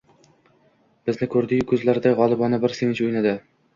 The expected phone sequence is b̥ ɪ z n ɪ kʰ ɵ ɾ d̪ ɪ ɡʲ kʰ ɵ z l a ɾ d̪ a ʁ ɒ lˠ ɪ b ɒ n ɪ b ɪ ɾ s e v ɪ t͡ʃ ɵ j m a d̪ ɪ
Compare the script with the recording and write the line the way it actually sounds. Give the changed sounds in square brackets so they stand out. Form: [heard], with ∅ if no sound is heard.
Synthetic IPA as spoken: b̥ ɪ z n ɪ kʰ ɵ ɾ d̪ ɪ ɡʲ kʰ ɵ z l a ɾ d̪ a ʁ ɒ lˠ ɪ b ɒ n ɪ b ɪ ɾ s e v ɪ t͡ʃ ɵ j [n] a d̪ ɪ